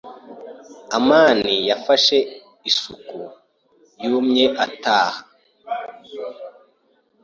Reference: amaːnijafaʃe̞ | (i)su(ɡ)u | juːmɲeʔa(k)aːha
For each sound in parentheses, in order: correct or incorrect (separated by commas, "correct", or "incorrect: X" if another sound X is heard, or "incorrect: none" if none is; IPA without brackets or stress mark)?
correct, incorrect: k, incorrect: t